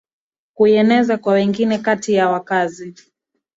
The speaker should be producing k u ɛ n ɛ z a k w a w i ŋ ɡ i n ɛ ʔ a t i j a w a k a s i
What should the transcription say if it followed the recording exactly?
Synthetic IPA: k u ɛ n ɛ z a k w a w ɛ ŋ ɡ i n ɛ k a t i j a w a k a z i

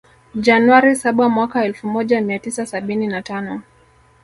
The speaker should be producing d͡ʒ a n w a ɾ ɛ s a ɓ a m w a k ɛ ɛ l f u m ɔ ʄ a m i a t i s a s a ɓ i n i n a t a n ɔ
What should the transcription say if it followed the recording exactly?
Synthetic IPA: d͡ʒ a n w a ɾ i s a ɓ a m w a k a ɛ l f u m ɔ ʄ a m i a t i s a s a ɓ i n i n a t a n ɔ

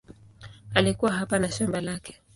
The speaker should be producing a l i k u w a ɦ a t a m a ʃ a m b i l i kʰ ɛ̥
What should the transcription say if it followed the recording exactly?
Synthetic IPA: a l i k u w a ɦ a p a n a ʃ a m b a l a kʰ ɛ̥

